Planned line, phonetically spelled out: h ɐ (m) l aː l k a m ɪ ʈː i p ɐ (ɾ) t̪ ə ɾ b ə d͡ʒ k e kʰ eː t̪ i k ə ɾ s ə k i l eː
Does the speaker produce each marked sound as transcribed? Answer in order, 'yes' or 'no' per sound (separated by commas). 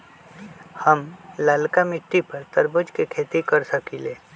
yes, yes